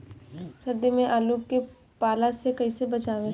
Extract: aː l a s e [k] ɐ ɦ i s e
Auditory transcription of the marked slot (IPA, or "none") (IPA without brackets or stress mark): k